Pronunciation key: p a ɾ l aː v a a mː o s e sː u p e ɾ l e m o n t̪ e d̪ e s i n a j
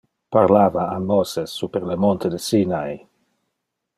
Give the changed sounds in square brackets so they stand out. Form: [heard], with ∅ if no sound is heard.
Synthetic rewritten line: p a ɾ l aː v a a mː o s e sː u p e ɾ l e m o n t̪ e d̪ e s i n a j